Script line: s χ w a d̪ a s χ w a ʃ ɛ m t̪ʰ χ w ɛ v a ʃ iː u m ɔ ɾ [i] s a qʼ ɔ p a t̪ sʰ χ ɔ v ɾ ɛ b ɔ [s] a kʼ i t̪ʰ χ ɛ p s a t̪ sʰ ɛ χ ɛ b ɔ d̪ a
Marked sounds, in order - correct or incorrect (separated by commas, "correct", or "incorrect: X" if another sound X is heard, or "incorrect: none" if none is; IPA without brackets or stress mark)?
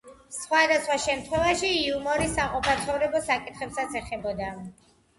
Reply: correct, correct